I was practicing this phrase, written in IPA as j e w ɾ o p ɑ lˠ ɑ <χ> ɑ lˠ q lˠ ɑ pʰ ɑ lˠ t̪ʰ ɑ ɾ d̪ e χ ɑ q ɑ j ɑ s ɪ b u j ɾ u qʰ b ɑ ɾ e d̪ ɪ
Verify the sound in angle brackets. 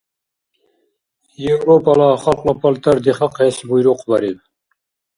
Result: correct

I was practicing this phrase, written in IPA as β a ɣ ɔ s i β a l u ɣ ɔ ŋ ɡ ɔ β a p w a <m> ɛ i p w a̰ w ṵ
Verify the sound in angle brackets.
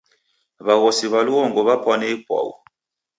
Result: incorrect: n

